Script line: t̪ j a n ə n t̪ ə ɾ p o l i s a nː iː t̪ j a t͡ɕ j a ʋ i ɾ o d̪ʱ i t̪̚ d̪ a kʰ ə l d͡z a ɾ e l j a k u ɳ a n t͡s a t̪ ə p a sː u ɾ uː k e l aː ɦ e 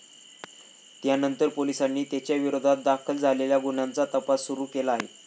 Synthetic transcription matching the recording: t̪ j a n ə n t̪ ə ɾ p o l i s a nː iː t̪ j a t͡ɕ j a ʋ i ɾ o d̪ʱ a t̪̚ d̪ a kʰ ə l d͡z a l e l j a ɡ u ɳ a n t͡s a t̪ ə p a sː u ɾ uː k e l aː ɦ e

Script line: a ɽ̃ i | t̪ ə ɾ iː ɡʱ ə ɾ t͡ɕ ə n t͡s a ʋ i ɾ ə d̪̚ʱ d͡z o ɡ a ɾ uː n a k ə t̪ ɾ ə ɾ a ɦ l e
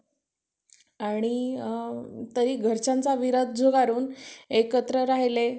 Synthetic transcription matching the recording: a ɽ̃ i | t̪ ə ɾ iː ɡʱ ə ɾ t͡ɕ a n t͡s a ʋ i ɾ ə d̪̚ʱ d͡z o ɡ a ɾ uː n e k ə t̪ ɾ ə ɾ a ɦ l e

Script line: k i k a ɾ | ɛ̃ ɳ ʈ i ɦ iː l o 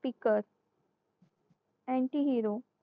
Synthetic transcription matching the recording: p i k ə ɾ | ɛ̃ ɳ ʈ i ɦ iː ɾ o

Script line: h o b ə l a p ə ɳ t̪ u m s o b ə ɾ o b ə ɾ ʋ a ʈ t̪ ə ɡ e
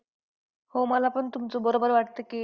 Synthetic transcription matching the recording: h o m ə l a p ə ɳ t̪ u m t͡s o b ə ɾ o b ə ɾ ʋ a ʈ t̪ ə k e

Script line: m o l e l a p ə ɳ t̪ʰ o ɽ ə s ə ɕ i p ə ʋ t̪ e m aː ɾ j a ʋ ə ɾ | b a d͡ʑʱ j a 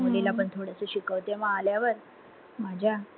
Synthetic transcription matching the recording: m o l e l a p ə ɳ t̪ʰ o ɽ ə s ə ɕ i k ə ʋ t̪ e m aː l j a ʋ ə ɾ | m a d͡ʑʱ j a

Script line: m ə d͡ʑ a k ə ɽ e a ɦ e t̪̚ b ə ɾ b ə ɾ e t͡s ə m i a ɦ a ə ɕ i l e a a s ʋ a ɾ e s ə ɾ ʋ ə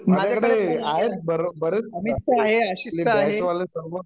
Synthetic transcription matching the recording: m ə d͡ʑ a k ə ɽ e a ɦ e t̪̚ b ə ɾ b ə ɾ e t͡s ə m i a ɦ e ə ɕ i l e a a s ʋ a l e s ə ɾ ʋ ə

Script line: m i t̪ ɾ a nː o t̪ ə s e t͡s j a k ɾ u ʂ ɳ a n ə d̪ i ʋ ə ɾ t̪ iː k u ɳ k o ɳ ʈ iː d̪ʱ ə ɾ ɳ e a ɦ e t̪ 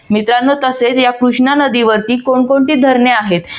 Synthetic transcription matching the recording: m i t̪ ɾ a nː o t̪ ə s e t͡s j a k ɾ u ʂ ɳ a n ə d̪ i ʋ ə ɾ t̪ iː k o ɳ k o ɳ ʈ iː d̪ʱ ə ɾ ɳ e a ɦ e t̪

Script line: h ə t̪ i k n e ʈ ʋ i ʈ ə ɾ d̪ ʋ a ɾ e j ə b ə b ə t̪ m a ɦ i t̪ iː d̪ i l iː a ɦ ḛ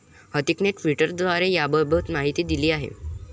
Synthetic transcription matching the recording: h ə t̪ i k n e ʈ ʋ i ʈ ə ɾ d̪ ʋ a ɾ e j a b ə b ə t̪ m a ɦ i t̪ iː d̪ i l iː a ɦ ḛ

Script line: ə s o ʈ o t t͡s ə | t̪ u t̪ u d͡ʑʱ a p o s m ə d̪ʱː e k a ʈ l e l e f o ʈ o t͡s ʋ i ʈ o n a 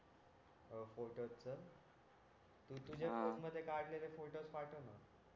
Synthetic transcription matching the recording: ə f o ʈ o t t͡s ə | t̪ u t̪ u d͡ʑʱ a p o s m ə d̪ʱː e k a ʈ l e l e f o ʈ o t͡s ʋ a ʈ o n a

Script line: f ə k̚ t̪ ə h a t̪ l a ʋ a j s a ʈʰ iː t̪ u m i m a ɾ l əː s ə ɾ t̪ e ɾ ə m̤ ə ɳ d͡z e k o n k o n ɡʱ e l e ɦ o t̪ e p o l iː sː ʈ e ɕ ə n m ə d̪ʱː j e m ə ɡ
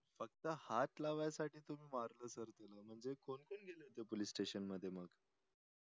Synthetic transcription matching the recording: f ə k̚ t̪ ə h a t̪ l a ʋ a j s a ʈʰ iː t̪ u m iː m a ɾ l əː s ə ɾ t̪ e l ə m̤ ə ɳ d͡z e k o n k o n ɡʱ e l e ɦ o t̪ e p o l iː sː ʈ e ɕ ə n m ə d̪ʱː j e m ə ɡ

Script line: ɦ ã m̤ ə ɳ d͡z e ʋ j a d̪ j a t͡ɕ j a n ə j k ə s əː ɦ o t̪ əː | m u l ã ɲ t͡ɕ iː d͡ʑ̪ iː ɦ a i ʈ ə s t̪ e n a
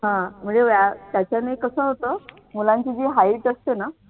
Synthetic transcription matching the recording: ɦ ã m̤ ə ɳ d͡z e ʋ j a t̪ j a t͡ɕ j a n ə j k ə s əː ɦ o t̪ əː | m u l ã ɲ t͡ɕ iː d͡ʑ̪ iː ɦ a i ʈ ə s t̪ e n a

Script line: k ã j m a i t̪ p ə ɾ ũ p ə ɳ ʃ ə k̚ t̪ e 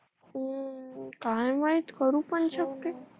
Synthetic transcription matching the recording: k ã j m a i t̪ k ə ɾ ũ p ə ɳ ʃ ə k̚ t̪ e

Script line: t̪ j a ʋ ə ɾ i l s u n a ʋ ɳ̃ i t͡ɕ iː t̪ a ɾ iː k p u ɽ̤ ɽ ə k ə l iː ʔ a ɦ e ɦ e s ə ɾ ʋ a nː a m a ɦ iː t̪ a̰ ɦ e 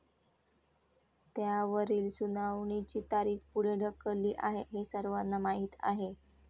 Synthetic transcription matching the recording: t̪ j a ʋ ə ɾ iː l s u n a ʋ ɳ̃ i t͡ɕ iː t̪ a ɾ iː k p u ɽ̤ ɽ ə k ə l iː ʔ a ɦ e ɦ e s ə ɾ ʋ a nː a m a ɦ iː t̪ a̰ ɦ e

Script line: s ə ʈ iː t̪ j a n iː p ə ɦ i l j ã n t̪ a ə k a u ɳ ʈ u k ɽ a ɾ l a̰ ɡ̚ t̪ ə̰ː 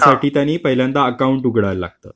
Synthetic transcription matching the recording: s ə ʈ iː t̪ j a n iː p ə ɦ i l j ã n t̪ a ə k a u ɳ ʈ u ɡ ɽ a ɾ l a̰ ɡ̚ t̪ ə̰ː

